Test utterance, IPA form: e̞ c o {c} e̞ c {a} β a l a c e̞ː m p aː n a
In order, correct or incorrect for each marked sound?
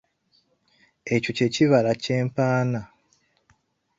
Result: correct, incorrect: i

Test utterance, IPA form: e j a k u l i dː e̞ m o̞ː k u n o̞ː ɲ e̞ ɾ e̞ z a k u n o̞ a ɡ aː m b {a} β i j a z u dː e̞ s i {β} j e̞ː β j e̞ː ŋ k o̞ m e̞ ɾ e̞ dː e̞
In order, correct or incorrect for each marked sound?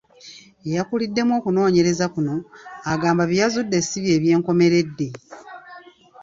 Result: correct, correct

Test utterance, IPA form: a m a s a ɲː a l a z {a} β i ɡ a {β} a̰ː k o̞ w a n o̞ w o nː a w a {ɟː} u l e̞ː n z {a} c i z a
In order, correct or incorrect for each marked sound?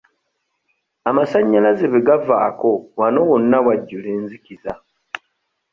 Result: incorrect: e, incorrect: v, correct, incorrect: i

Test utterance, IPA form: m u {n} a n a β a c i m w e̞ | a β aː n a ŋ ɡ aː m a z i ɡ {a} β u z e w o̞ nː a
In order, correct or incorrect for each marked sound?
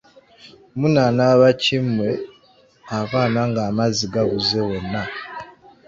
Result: correct, correct

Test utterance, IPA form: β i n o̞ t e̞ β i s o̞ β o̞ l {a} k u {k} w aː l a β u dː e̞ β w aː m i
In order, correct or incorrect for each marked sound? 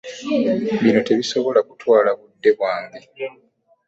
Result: correct, incorrect: t

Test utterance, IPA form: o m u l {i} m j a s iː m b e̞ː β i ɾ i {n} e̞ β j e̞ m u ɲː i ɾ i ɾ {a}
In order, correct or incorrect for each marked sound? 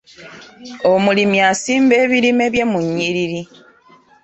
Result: correct, incorrect: m, incorrect: i

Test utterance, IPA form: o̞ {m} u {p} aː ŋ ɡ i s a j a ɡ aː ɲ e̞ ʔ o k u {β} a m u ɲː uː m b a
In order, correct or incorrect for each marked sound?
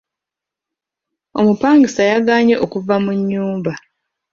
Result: correct, correct, incorrect: v

